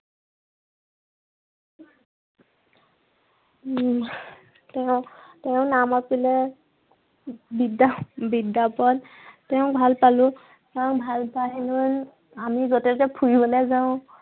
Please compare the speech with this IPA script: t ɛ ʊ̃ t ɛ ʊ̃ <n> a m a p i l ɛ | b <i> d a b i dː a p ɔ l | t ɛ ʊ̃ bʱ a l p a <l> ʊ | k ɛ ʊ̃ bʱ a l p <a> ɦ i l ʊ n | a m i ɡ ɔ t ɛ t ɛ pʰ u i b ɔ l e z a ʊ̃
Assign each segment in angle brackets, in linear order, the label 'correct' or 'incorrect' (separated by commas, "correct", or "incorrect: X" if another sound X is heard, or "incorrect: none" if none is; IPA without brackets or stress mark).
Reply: correct, correct, correct, correct